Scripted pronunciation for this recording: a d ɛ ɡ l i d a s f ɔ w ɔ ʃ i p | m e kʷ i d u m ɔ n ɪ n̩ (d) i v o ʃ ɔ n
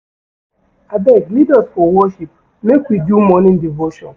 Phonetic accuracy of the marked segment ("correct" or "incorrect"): correct